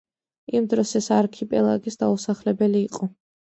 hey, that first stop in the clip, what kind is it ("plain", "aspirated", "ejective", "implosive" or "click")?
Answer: plain